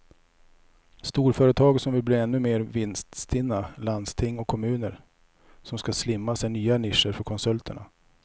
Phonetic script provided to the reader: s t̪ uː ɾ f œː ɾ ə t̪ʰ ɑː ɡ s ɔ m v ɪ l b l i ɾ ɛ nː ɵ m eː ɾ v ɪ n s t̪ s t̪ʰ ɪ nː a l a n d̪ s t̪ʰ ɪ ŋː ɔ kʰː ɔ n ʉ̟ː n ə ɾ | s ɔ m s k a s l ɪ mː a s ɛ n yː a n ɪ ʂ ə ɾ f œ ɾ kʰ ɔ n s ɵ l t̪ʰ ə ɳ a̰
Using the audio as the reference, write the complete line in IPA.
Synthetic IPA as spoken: s t̪ uː ɾ f œː ɾ ə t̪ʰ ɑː ɡ s ɔ m v ɪ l b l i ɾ ɛ nː ɵ m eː ɾ v ɪ n s t̪ s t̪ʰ ɪ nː a l a n d̪ s t̪ʰ ɪ ŋː ɔ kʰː ɔ m ʉ̟ː n ə ɾ | s ɔ m s k a s l ɪ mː a s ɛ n yː a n ɪ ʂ ə ɾ f œ ɾ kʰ ɔ n s ɵ l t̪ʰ ə ɳ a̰